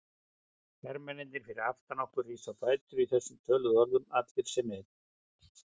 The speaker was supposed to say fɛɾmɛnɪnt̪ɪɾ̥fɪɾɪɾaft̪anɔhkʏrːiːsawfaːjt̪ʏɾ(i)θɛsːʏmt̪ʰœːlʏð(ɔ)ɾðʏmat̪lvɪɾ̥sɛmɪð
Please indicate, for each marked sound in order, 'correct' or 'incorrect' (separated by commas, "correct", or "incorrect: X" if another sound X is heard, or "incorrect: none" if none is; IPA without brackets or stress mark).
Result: correct, correct